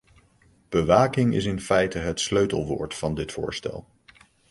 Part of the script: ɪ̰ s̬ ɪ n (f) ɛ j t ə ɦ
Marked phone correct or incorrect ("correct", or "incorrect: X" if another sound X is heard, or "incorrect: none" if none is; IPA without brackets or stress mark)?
correct